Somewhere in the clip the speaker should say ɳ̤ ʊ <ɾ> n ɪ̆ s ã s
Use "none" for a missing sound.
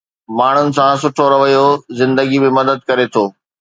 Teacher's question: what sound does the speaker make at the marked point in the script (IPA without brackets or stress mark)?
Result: none